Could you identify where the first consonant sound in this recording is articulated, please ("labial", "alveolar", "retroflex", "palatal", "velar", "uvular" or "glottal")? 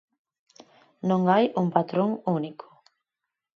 alveolar